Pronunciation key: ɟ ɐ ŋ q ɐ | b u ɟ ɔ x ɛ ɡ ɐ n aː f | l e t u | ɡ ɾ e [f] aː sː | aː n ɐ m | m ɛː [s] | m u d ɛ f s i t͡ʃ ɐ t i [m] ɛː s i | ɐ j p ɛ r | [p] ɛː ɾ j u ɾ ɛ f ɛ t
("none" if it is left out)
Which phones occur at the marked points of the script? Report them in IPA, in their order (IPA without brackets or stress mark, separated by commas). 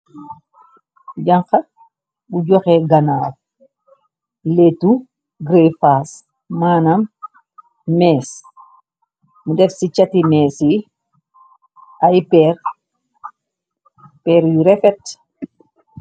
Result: f, s, m, p